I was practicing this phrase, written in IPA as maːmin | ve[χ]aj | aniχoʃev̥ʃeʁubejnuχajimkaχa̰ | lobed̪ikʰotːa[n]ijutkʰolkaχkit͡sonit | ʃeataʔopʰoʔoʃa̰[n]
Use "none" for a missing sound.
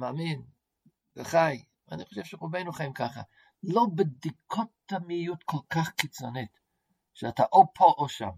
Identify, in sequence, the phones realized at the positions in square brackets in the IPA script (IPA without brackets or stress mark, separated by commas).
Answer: χ, m, m